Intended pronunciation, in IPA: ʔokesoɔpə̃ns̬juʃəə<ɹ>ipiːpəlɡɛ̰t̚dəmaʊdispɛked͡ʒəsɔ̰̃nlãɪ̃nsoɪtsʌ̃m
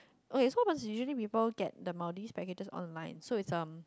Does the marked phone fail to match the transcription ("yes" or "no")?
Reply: yes